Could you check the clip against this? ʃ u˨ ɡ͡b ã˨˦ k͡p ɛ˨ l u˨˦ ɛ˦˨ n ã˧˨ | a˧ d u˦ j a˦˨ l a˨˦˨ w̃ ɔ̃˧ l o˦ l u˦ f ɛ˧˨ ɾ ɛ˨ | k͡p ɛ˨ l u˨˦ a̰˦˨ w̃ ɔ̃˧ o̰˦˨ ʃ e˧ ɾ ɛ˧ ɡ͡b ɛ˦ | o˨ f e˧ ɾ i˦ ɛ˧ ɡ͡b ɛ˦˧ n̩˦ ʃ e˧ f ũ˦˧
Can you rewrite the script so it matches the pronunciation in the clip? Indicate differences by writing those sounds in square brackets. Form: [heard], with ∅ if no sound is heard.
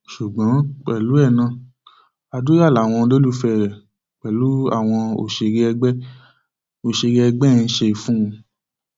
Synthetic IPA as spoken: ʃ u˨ ɡ͡b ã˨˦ k͡p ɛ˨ l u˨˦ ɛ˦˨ n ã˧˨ | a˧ d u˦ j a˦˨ l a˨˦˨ w̃ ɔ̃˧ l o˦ l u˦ f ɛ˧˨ ɾ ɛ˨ | k͡p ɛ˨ l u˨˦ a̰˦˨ w̃ ɔ̃˧ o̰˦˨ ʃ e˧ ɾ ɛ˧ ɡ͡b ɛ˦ | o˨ [ʃ] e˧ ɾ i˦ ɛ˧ ɡ͡b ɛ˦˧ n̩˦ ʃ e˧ f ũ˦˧